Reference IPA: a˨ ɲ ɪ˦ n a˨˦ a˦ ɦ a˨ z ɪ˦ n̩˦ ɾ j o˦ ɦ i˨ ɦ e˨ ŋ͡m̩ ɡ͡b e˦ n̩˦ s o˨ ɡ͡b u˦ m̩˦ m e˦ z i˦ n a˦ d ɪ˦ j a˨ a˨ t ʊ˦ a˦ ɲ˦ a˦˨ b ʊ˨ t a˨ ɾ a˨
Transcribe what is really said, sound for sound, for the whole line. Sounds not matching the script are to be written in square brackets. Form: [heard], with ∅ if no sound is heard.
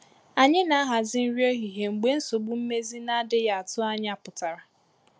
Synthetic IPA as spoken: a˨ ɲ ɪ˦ n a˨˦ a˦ ɦ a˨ z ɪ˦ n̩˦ ɾ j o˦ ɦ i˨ ɦ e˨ ŋ͡m̩ ɡ͡b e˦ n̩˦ s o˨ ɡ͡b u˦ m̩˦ m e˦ z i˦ n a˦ d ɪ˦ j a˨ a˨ t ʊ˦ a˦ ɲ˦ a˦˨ [p] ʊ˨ t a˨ ɾ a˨